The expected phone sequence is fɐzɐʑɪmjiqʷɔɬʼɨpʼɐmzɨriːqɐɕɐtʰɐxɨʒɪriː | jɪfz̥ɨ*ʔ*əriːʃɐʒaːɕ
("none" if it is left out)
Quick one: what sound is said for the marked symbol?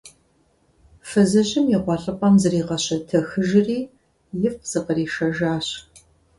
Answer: q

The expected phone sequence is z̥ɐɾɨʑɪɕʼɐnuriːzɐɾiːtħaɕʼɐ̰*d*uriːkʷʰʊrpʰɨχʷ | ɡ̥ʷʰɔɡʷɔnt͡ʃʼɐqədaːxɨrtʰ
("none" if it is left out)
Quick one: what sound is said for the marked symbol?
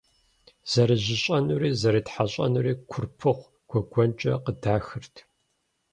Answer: n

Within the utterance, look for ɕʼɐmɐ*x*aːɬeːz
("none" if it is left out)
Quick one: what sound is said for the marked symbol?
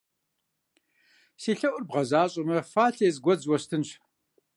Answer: f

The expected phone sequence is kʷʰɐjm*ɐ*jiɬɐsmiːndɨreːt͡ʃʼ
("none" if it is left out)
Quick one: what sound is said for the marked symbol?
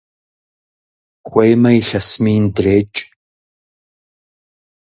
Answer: ɐ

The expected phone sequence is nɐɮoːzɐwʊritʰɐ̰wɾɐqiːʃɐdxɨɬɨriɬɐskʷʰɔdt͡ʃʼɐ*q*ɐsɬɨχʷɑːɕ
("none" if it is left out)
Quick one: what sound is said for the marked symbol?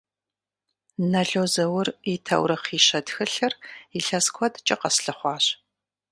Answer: q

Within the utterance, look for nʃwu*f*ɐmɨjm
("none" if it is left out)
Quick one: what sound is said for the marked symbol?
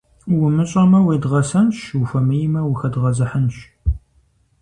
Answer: f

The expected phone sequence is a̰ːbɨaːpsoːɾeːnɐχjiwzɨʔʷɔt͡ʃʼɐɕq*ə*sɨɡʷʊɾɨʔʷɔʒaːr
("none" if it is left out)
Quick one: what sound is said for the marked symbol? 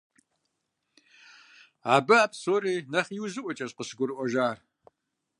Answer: ə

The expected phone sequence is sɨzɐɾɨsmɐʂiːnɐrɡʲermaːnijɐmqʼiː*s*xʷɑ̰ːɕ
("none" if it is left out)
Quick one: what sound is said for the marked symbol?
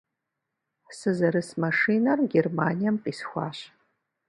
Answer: s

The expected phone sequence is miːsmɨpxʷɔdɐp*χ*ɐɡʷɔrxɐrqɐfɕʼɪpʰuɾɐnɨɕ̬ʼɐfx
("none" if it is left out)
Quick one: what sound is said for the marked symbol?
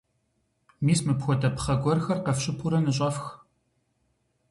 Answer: χ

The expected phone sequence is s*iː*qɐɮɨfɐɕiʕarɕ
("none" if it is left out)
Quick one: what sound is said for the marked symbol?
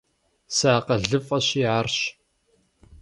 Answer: aː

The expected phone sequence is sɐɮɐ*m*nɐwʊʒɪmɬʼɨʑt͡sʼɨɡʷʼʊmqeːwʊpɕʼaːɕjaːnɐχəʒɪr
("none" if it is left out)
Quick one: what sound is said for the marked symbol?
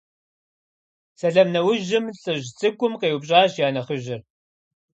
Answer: m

